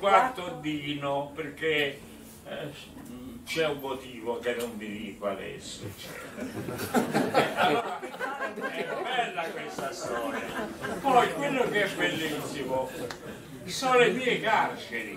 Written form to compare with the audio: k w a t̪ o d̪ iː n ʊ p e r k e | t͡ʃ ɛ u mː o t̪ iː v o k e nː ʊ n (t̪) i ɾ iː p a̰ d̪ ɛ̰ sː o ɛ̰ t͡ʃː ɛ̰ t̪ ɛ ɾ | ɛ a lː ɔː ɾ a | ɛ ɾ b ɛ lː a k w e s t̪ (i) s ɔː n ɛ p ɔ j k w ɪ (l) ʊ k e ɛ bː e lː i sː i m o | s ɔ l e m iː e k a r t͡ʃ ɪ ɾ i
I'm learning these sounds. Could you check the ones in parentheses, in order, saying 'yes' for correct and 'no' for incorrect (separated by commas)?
no, no, no